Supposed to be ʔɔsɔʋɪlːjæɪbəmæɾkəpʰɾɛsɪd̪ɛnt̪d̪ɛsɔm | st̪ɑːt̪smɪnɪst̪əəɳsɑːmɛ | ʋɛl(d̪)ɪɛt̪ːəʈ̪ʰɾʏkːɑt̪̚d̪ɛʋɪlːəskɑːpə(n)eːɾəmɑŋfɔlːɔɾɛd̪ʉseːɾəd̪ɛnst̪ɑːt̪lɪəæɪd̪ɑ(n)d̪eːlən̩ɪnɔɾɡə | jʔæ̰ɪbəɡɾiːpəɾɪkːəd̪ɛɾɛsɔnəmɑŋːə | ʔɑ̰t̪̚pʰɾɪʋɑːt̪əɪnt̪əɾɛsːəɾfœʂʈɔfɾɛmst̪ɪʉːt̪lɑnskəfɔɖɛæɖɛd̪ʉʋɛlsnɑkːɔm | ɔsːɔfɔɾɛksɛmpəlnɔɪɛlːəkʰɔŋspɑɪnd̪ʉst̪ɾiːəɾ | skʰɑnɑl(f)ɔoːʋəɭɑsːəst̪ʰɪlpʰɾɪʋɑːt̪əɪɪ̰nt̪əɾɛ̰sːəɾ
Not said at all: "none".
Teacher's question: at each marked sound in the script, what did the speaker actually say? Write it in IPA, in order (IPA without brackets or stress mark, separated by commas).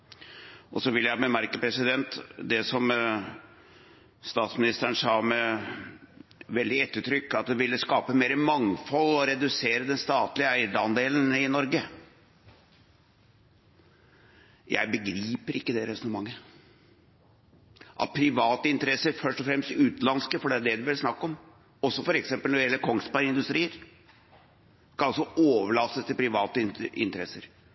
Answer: d̪, m, n, s